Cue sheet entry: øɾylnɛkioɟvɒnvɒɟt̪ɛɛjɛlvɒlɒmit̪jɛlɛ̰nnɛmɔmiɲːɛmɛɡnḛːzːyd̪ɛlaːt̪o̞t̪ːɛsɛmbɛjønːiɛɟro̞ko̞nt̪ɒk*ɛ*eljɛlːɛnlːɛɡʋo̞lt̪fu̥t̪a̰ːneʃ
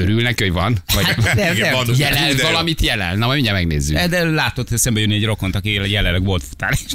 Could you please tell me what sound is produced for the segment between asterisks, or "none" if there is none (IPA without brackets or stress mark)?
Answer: i